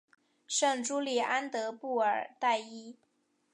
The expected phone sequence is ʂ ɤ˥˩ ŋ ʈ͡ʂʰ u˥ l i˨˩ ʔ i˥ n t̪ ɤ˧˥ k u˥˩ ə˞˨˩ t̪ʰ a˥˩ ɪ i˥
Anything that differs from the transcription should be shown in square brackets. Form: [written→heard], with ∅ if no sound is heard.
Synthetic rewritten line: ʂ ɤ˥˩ ŋ [ʈ͡ʂʰ→ʈ͡ʂ] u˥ l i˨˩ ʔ [i˥→a˥] n t̪ ɤ˧˥ [k→p] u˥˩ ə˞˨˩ [t̪ʰ→t̪] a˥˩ ɪ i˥